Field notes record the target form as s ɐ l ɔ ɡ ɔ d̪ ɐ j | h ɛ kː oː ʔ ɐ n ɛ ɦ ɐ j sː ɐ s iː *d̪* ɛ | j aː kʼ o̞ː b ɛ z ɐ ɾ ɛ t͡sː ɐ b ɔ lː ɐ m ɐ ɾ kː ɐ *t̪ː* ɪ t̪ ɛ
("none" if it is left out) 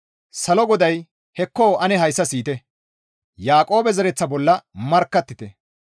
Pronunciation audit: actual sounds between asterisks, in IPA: t̪, t̪ː

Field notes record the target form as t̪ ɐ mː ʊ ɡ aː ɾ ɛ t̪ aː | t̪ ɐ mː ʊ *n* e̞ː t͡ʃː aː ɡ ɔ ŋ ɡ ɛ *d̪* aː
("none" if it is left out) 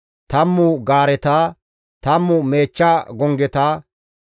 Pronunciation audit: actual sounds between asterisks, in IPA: m, t̪

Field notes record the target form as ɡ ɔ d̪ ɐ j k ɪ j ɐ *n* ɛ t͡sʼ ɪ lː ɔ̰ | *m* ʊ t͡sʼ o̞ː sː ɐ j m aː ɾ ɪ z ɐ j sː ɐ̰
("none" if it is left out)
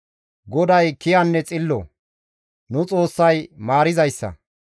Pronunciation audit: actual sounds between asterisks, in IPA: nː, n

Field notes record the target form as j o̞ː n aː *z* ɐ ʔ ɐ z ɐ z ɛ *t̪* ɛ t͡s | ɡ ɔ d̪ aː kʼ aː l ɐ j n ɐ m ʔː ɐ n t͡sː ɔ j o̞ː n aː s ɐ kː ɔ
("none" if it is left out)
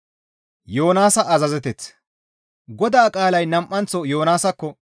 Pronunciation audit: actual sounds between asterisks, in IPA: s, t̪

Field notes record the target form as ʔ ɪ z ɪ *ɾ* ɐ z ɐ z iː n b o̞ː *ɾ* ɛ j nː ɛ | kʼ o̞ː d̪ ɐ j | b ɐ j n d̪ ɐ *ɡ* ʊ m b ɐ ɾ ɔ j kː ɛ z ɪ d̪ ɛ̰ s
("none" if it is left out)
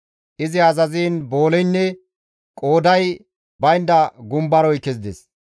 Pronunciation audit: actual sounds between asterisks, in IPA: none, l, ɡ

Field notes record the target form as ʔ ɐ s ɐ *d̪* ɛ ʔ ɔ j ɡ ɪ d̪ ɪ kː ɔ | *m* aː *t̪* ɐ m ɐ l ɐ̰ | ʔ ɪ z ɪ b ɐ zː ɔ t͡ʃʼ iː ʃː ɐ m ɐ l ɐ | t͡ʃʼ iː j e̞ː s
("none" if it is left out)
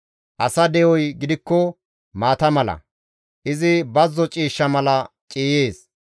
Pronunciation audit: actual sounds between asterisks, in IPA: d̪, m, t̪

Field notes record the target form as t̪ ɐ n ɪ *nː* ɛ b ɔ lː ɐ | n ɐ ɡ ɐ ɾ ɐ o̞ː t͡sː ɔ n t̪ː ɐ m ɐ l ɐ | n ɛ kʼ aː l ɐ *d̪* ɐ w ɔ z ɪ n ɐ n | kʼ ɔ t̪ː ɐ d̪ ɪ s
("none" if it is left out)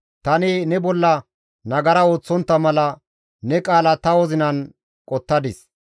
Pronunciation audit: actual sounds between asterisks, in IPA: n, t̪

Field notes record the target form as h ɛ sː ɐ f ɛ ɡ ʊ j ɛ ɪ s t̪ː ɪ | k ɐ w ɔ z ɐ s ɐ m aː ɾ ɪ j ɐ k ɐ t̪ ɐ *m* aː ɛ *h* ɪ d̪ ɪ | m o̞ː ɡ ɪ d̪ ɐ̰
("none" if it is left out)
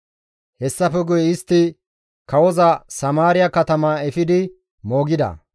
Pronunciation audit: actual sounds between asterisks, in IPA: m, f

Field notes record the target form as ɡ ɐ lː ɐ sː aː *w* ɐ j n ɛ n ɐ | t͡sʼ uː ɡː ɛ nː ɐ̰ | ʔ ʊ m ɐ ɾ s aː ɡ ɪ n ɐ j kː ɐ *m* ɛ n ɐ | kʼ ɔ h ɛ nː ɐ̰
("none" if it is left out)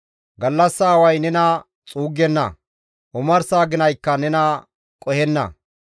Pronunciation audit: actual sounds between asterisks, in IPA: w, n

